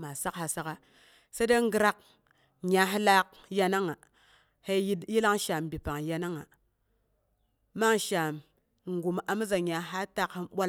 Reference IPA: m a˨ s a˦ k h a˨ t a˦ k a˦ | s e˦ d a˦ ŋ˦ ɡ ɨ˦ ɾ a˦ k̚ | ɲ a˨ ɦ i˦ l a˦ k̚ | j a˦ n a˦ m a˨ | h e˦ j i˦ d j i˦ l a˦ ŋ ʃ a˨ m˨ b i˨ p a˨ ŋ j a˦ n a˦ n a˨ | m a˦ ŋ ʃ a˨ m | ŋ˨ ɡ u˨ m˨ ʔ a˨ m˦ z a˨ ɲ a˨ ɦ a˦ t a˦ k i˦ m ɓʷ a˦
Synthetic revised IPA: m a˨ s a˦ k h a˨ s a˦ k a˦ | s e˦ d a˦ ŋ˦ ɡ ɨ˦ ɾ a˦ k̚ | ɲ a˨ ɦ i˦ l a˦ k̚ | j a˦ n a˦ ŋ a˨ | h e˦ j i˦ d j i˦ l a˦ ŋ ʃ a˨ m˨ b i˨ p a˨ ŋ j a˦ n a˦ ŋ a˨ | m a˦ ŋ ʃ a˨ m | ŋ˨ ɡ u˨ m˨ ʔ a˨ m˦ z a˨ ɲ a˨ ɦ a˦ t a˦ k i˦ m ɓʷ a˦